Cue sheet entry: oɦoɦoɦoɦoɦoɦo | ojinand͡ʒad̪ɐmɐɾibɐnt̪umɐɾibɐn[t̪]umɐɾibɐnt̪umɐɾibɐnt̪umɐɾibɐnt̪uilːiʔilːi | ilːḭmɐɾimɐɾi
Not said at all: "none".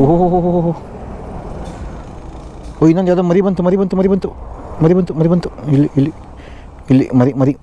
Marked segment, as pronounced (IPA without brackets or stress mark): t̪